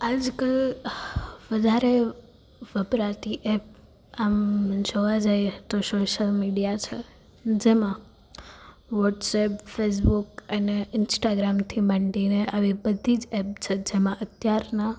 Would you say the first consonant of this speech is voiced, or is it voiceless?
voiced